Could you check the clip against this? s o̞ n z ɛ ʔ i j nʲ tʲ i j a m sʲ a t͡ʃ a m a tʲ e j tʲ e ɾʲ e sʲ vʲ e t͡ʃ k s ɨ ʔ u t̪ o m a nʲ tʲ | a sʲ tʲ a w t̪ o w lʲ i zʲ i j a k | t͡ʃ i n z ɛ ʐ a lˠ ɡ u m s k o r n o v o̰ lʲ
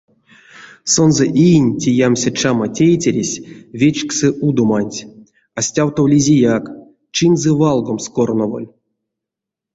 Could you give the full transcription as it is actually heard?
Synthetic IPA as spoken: s o̞ n z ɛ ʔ i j nʲ tʲ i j a m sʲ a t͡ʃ a m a tʲ e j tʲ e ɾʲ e sʲ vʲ e t͡ʃ k s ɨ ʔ u d̪ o m a nʲ tʲ | a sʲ tʲ a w t̪ o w lʲ i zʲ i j a k | t͡ʃ i n z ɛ v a lˠ ɡ o m s k o r n o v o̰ lʲ

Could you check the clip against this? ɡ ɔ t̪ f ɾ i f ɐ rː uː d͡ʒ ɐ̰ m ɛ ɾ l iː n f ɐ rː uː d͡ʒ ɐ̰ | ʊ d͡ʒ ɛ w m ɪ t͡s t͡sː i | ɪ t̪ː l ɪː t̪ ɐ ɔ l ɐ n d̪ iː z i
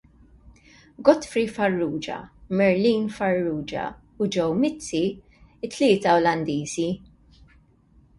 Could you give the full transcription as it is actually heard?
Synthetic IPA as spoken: ɡ ɔ t̪ f ɾ i f ɐ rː uː d͡ʒ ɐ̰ m ɛ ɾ l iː n f ɐ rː uː d͡ʒ ɐ̰ | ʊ d͡ʒ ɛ w m ɪ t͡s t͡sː i | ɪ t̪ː l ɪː t̪ ɐ ɔ l ɐ n d̪ iː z i

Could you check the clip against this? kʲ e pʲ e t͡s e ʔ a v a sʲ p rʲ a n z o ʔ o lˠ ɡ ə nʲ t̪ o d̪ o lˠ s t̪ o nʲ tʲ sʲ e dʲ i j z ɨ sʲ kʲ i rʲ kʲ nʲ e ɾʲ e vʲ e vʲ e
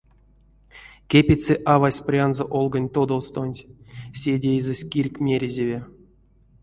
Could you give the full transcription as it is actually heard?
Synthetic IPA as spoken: kʲ e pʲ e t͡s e ʔ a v a sʲ p rʲ a n z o ʔ o lˠ ɡ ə nʲ t̪ o d̪ o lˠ s t̪ o nʲ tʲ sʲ e dʲ e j z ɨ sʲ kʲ i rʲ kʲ mʲ e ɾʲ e zʲ e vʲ e

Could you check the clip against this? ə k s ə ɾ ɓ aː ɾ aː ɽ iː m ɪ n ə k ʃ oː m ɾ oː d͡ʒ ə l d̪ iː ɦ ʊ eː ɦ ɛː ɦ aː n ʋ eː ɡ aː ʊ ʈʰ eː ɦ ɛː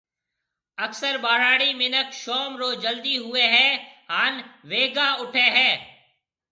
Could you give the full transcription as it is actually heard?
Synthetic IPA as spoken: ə k s ə ɾ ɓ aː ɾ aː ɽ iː m ɪ n ə k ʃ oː m ɾ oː d͡ʒ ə l d̪ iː ɦ ʊ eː ɦ ɛː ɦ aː n ʋ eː ɡ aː ʊ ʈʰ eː ɦ ɛː

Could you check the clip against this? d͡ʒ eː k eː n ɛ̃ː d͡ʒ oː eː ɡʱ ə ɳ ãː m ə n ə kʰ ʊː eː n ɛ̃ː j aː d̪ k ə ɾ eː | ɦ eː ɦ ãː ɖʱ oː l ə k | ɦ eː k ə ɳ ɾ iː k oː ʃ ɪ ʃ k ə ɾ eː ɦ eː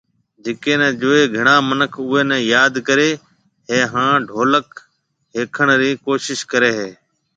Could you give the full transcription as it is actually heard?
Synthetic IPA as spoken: d͡ʒ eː k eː n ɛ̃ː d͡ʒ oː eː ɡʱ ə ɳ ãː m ə n ə kʰ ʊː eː n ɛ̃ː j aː d̪ k ə ɾ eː | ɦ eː ɦ ãː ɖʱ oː l ə k | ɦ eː kʰ ə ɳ ɾ iː k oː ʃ ɪ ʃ k ə ɾ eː ɦ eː

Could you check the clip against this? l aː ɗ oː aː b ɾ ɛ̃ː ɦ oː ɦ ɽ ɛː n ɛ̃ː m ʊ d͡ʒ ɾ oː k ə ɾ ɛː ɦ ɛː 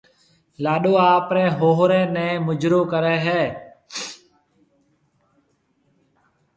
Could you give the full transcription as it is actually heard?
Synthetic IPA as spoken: l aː ɗ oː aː p ɾ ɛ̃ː ɦ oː ɦ ɾ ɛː n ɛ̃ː m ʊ d͡ʒ ɾ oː k ə ɾ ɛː ɦ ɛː

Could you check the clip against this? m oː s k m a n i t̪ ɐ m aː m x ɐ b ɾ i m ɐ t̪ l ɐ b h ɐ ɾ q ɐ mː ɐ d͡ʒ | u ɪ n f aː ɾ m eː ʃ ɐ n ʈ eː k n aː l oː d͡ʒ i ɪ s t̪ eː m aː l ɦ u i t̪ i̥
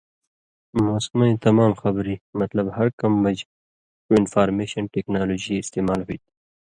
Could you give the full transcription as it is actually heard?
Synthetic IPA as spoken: m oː s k m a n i t̪ ɐ m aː m x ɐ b ɾ i m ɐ t̪ l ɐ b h ɐ ɾ k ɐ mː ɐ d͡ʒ | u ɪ n f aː ɾ m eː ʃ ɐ n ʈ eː k n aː l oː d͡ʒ i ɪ s t̪ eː m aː l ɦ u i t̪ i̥

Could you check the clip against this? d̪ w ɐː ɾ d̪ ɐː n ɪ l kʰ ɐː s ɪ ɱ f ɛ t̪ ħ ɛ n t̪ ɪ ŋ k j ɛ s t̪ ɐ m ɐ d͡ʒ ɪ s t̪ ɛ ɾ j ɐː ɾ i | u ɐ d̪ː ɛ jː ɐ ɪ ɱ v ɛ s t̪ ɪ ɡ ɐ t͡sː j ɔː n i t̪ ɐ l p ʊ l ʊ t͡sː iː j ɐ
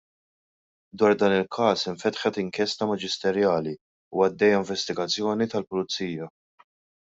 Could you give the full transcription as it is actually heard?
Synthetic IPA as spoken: d̪ w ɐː ɾ d̪ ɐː n ɪ l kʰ ɐː s ɪ ɱ f ɛ t̪ ħ ɛ t̪ ɪ ŋ k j ɛ s t̪ ɐ m ɐ d͡ʒ ɪ s t̪ ɛ ɾ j ɐː l i | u ɐ d̪ː ɛ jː ɐ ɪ ɱ v ɛ s t̪ ɪ ɡ ɐ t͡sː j ɔː n i t̪ ɐ l p ʊ l ʊ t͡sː iː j ɐ

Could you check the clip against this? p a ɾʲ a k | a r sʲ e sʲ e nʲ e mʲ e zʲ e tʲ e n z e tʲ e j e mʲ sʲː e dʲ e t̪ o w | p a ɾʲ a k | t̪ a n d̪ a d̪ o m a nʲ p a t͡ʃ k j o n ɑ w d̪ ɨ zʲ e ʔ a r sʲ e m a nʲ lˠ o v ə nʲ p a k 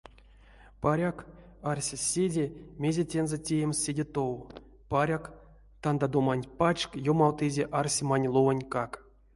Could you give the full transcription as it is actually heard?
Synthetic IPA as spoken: p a ɾʲ a k | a r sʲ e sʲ e dʲ e mʲ e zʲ e tʲ e n z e tʲ e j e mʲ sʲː e dʲ e t̪ o w | p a ɾʲ a k | t̪ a n d̪ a d̪ o m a nʲ p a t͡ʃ k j o m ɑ w t̪ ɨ zʲ e ʔ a r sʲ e m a nʲ lˠ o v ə nʲ k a k

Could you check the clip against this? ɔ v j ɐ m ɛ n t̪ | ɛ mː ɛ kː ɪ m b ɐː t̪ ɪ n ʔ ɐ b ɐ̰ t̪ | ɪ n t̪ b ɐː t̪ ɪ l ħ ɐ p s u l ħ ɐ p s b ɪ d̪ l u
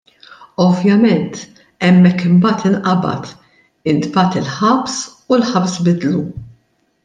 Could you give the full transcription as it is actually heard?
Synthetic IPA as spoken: ɔ v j ɐ m ɛ n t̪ | ɛ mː ɛ kː ɪ m b ɐː t̪ ɪ n ʔ ɐ b ɐ̰ t̪ | ɪ n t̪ b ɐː t̪ ɪ l ħ ɐ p s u l ħ ɐ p s b ɪ d̪ l u

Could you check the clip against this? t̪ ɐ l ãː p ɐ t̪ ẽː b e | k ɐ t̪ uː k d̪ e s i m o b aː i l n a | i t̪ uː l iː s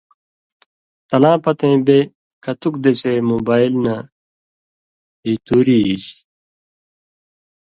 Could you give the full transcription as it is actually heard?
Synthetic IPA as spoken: t̪ ɐ l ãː p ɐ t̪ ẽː b e | k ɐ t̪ u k d̪ e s e m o b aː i l n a | i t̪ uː ɾ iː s

